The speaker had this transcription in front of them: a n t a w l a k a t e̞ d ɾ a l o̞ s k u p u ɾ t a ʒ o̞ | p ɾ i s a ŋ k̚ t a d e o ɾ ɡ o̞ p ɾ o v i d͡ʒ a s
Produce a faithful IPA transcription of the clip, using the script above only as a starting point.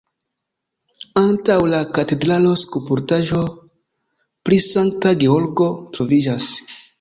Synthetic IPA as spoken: a n t a w l a k a t e̞ d ɾ a l o̞ s k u p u ɾ t a ʒ o̞ | p ɾ i s a ŋ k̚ t a ɡ e o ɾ ɡ o̞ t ɾ o v i d͡ʒ a s